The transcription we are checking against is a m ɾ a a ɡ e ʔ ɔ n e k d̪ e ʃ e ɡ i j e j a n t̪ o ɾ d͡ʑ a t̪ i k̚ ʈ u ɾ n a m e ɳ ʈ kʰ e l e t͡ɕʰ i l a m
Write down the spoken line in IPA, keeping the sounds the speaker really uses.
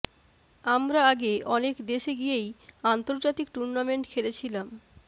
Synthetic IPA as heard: a m ɾ a a ɡ e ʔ ɔ n e k d̪ e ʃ e ɡ i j e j a n t̪ o ɾ d͡ʑ a t̪ i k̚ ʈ u ɾ n a m e ɳ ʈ kʰ e l e t͡ɕʰ i l a m